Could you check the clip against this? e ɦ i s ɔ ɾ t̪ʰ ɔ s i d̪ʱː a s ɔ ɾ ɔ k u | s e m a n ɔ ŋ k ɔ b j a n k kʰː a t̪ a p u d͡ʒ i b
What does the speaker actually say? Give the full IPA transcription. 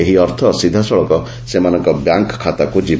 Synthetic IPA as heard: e ɦ i ɔ ɾ t̪ʰ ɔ s i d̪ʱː a s ɔ ɭ ɔ k ɔ | s e m a n ɔ ŋ k ɔ b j a ŋ k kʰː a t̪ a k u d͡ʒ i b